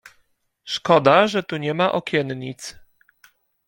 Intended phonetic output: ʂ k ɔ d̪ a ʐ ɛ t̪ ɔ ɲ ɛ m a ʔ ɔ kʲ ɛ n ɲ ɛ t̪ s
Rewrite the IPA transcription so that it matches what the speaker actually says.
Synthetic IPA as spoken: ʂ k ɔ d̪ a ʐ ɛ t̪ u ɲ ɛ m a ʔ ɔ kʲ ɛ n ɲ i t̪ s